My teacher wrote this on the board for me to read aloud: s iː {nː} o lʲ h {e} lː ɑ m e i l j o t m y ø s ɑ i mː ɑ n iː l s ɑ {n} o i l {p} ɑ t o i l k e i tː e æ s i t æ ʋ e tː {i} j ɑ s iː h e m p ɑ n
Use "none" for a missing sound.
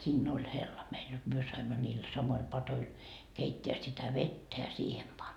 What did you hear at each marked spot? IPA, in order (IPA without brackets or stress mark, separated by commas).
nː, e, m, p, æ